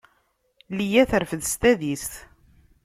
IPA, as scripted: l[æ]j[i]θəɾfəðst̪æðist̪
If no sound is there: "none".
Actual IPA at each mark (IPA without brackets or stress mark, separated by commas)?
i, æ